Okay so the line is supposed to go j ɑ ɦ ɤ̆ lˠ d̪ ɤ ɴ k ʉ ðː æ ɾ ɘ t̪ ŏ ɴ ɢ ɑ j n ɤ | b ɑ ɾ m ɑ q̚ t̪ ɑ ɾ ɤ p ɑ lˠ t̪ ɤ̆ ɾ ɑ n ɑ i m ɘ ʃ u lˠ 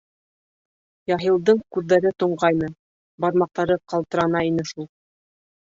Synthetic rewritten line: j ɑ ɦ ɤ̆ lˠ d̪ ɤ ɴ k ʉ ðː æ ɾ ɘ t̪ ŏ ɴ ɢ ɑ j n ɤ | b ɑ ɾ m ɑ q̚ t̪ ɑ ɾ ɤ q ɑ lˠ t̪ ɤ̆ ɾ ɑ n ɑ i n ɘ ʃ u lˠ